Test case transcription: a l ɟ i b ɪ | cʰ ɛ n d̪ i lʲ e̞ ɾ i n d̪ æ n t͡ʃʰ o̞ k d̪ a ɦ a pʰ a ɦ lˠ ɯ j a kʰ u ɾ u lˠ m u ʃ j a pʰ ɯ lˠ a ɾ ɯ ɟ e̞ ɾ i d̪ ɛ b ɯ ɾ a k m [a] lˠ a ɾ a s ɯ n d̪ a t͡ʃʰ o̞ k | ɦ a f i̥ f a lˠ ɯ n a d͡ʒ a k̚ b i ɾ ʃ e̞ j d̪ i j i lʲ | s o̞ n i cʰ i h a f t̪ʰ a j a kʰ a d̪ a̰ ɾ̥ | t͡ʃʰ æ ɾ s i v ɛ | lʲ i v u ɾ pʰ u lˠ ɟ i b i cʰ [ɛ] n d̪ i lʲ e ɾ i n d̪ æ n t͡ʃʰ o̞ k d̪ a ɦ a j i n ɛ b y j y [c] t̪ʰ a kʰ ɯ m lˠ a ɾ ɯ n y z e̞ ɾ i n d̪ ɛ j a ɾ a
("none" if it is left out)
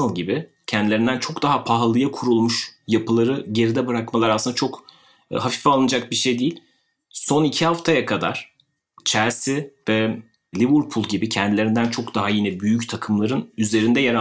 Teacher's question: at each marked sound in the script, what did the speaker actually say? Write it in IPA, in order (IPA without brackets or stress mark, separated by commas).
a, ɛ, c